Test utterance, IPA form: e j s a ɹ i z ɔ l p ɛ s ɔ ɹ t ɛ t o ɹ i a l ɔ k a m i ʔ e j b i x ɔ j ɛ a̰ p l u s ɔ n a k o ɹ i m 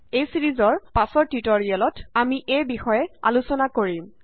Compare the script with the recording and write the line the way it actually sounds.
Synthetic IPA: e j s i ɹ i z ɔ ɹ p a s ɔ ɹ t i t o ɹ i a l ɔ t a m i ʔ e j b i x ɔ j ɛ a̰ l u s ɔ n a k o ɹ i m

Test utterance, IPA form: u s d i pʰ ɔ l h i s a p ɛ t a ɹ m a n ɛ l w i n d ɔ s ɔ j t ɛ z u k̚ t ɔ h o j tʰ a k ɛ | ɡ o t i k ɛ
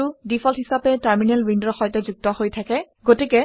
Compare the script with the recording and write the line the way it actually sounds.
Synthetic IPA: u d i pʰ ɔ l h i s a p ɛ t a ɹ m i n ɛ l w i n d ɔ x ɔ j t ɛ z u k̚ t ɔ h o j tʰ a k ɛ | ɡ o t i k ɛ

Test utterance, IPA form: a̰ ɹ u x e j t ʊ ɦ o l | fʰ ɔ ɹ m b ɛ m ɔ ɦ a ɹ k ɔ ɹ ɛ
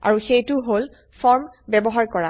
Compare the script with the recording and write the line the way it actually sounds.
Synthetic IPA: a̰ ɹ u x e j t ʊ ɦ o l | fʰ ɔ ɹ m b ɛ b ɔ ɦ a ɹ k ɔ ɹ a

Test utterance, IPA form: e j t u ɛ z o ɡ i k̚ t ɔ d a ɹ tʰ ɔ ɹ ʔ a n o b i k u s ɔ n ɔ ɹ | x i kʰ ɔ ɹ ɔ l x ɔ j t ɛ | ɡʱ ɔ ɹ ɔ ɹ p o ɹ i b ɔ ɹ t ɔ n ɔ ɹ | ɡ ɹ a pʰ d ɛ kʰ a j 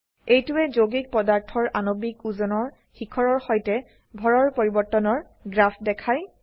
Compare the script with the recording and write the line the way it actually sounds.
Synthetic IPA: e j t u ɛ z o ɡ i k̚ p ɔ d a ɹ tʰ ɔ ɹ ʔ a n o b i k u z ɔ n ɔ ɹ | x i kʰ ɔ ɹ ɔ ɹ x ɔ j t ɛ | bʱ ɔ ɹ ɔ ɹ p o ɹ i b ɔ ɹ t ɔ n ɔ ɹ | ɡ ɹ a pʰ d ɛ kʰ a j

